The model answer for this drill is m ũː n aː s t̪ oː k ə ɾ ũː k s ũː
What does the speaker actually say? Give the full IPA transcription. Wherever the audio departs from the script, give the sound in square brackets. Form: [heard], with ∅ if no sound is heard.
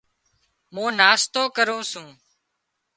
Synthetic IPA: m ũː n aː s t̪ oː k ə ɾ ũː [∅] s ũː